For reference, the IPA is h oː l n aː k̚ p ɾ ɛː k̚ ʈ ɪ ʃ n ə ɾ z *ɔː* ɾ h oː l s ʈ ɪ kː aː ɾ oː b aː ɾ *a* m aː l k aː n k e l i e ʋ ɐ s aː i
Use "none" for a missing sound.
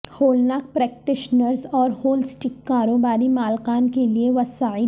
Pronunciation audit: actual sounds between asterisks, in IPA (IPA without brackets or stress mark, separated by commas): ɔː, i